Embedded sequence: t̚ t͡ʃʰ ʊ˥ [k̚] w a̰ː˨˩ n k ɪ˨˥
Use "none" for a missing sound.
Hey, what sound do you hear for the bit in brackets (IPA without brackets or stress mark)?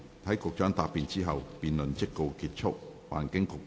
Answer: k̚